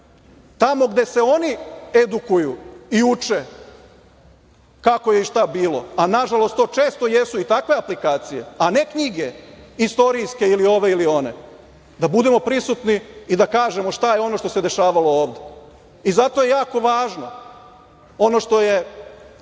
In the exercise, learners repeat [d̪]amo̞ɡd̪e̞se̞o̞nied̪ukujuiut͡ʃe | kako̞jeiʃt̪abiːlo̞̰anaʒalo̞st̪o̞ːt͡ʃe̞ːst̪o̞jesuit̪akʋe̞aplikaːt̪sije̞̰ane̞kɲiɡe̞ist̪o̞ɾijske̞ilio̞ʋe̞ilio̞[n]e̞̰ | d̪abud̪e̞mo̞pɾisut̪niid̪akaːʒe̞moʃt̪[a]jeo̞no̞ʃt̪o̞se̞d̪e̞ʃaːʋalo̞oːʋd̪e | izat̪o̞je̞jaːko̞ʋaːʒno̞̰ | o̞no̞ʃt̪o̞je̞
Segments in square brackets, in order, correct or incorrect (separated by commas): incorrect, correct, correct